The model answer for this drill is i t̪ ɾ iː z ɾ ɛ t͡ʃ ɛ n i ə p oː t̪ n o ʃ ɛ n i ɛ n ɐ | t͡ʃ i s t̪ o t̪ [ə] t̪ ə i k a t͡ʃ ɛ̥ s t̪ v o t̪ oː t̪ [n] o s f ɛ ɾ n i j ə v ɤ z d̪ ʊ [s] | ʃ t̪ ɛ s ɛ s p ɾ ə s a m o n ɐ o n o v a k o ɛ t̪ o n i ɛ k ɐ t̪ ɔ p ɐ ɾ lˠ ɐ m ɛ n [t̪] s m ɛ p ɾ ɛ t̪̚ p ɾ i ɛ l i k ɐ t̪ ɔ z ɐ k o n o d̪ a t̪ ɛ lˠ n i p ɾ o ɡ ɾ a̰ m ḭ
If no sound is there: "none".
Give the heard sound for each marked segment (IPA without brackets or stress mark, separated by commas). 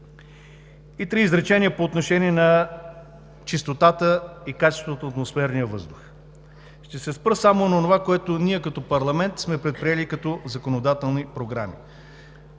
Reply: a, m, x, t̪